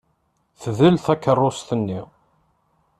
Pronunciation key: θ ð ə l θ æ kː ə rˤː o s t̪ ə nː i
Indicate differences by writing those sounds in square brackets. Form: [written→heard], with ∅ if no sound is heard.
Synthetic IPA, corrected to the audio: θ ð ə l θ æ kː ə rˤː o s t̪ ə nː i